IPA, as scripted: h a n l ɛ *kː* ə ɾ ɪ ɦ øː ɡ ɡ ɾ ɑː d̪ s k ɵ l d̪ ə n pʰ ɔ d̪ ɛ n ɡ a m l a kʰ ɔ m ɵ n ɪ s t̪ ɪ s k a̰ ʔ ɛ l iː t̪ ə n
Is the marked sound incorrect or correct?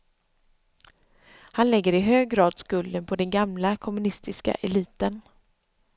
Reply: incorrect: ɡː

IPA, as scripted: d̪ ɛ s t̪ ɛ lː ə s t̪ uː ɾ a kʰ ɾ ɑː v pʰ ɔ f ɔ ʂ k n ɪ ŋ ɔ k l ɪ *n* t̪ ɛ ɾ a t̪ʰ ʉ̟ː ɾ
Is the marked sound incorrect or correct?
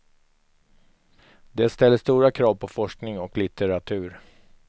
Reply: incorrect: none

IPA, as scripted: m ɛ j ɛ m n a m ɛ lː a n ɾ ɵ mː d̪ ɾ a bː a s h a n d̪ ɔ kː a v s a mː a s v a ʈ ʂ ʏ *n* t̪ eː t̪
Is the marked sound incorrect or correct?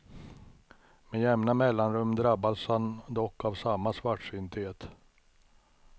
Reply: correct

